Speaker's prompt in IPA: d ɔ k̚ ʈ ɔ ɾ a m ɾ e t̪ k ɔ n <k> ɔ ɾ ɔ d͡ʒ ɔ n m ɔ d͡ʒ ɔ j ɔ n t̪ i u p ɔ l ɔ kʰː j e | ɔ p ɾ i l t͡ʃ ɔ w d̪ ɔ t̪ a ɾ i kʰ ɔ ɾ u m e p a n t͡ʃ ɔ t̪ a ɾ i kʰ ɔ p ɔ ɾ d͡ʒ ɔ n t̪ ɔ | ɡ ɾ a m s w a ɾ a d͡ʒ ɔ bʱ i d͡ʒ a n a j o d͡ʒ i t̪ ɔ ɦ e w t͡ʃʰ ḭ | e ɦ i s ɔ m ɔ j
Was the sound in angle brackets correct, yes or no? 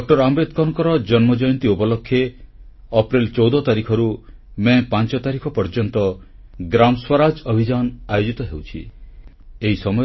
yes